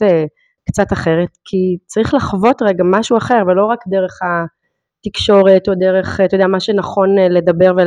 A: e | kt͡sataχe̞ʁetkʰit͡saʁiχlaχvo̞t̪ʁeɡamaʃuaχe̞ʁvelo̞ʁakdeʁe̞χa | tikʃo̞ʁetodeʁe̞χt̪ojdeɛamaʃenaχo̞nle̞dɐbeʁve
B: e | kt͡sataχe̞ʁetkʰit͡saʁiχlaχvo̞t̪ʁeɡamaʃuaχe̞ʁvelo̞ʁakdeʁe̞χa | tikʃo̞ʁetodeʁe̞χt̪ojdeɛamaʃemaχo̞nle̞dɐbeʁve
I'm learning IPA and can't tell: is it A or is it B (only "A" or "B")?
A